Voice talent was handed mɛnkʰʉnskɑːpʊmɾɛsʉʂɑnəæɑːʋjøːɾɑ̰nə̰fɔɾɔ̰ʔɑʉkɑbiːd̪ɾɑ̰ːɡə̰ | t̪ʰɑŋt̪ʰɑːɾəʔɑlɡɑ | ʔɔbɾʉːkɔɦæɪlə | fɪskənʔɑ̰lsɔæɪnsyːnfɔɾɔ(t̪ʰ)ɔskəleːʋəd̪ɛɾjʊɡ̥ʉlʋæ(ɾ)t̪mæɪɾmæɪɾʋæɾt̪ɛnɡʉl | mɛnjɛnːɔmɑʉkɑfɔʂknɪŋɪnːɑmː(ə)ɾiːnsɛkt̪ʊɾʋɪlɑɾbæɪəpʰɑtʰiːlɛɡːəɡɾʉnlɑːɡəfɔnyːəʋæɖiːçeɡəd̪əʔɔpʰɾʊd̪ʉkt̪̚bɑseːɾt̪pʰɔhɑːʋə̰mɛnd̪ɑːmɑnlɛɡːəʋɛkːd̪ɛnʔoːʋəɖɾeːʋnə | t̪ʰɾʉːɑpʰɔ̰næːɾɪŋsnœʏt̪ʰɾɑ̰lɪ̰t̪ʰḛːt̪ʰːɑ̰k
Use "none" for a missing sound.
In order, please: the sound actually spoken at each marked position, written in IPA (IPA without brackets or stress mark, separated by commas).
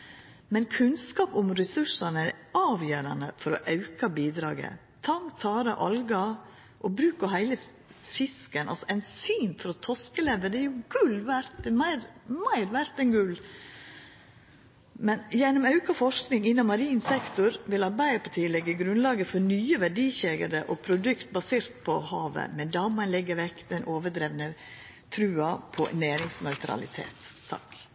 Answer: t̪ʰ, ɾ, ɑ